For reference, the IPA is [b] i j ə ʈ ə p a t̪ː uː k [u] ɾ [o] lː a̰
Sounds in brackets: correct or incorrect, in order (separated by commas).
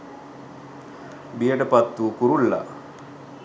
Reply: correct, correct, incorrect